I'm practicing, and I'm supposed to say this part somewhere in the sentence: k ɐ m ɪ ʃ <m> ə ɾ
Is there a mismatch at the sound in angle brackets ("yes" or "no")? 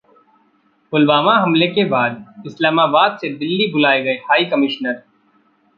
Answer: yes